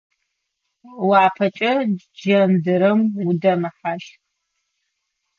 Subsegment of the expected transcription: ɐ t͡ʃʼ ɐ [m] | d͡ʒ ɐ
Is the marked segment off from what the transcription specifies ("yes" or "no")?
yes